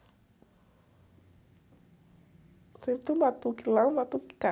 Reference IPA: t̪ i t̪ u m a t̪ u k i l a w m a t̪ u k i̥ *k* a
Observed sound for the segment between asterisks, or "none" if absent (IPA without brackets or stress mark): k